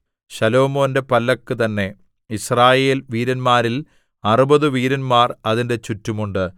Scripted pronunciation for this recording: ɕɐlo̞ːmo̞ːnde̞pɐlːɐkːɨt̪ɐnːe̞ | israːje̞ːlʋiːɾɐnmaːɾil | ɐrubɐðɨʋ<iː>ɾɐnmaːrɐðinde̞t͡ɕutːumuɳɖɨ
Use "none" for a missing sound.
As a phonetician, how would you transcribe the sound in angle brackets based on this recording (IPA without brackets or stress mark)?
iː